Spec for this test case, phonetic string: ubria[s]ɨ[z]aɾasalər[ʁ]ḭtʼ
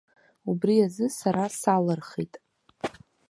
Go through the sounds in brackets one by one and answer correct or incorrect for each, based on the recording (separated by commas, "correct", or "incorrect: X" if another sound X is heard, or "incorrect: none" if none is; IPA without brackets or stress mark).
incorrect: z, incorrect: s, incorrect: χ